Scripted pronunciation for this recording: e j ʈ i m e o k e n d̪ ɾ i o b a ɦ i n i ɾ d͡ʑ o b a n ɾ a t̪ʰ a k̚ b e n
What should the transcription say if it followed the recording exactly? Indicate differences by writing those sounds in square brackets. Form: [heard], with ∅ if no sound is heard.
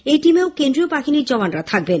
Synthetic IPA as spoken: e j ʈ i m e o k e n d̪ ɾ i o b a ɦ i n i ɾ d͡ʑ [ɔ] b a n ɾ a t̪ʰ a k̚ b e n